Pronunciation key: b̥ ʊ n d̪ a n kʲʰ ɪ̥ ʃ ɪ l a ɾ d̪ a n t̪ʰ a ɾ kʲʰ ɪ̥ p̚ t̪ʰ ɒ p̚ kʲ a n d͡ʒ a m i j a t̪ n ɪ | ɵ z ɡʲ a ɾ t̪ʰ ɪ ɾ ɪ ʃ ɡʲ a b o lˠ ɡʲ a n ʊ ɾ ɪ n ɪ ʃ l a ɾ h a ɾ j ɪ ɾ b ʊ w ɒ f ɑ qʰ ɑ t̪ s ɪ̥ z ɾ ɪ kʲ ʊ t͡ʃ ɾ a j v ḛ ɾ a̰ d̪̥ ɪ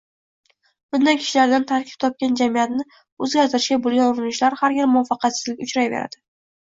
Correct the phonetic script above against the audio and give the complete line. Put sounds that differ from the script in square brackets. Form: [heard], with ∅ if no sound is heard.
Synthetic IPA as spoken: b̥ ʊ n d̪ a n kʲʰ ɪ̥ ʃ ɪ l a ɾ d̪ a n t̪ʰ a ɾ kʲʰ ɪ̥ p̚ t̪ʰ ɒ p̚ kʲ a n d͡ʒ a m i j a t̪ n ɪ | ɵ z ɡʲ a ɾ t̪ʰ ɪ ɾ ɪ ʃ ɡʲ a b o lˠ ɡʲ a n ʊ ɾ ɪ n ɪ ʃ l a ɾ h a ɾ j ɪ ɾ [m] ʊ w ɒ f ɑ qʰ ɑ t̪ s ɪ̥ z [l] ɪ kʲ ʊ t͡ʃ ɾ a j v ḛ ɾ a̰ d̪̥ ɪ